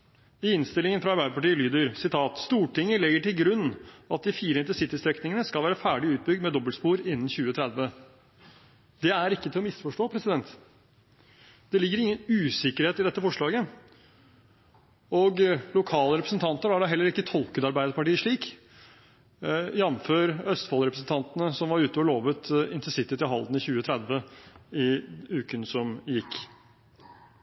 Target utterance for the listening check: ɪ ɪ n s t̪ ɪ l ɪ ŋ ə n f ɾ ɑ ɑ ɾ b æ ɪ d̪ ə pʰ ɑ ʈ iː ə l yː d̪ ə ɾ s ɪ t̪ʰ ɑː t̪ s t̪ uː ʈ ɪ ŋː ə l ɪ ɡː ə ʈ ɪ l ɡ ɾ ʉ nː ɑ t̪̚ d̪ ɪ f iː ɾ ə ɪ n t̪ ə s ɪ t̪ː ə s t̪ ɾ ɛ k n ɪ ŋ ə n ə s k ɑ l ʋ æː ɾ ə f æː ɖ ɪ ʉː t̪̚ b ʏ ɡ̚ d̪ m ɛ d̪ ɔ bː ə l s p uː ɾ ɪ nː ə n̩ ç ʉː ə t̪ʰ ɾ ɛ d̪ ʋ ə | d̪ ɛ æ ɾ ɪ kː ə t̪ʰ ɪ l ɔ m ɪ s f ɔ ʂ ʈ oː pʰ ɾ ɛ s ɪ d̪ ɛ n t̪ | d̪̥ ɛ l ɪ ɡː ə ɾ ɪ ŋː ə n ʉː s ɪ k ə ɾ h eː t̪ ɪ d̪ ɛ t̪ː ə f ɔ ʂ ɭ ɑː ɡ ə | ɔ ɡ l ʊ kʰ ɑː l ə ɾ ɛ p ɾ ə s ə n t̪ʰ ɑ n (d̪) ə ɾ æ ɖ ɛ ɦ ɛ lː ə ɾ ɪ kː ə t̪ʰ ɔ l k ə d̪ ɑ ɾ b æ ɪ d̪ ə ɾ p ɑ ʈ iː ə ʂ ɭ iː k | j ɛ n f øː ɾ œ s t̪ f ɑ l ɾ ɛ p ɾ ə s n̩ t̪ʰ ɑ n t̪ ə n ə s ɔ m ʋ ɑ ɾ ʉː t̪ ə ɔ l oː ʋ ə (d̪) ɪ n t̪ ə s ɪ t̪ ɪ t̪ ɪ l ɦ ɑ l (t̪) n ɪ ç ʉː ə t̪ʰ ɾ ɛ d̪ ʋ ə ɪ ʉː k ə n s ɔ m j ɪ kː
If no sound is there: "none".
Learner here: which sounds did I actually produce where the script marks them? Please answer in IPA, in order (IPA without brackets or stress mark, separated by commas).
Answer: t̪, t̪, d̪